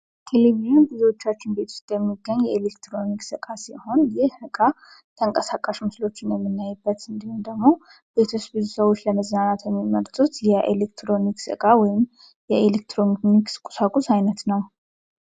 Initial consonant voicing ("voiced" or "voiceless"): voiceless